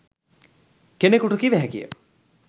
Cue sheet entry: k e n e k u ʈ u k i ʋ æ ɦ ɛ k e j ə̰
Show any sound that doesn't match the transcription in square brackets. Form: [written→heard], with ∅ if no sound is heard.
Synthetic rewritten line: k e n e k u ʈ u k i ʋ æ ɦ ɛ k [e→i] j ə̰